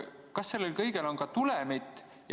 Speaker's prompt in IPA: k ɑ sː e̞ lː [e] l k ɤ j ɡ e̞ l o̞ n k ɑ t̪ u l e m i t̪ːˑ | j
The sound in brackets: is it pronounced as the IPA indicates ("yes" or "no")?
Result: yes